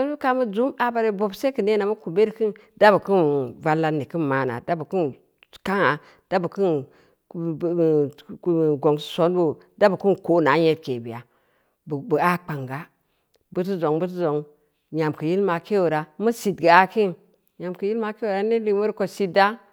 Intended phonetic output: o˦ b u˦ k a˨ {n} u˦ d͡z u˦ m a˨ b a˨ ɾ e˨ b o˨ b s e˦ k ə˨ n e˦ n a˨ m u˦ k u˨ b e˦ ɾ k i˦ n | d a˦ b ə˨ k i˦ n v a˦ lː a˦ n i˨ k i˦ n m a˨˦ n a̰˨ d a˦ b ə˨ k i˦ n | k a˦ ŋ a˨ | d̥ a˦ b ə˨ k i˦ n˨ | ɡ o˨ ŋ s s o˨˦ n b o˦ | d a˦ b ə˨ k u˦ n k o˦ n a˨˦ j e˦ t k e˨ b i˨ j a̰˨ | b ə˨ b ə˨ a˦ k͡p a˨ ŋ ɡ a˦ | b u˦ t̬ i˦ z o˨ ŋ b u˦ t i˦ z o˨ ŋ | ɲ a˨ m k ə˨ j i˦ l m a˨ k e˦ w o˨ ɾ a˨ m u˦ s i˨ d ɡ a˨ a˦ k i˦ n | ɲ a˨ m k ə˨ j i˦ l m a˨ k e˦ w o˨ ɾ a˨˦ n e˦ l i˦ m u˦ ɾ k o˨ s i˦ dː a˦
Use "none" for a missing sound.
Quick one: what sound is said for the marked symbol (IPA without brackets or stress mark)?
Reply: m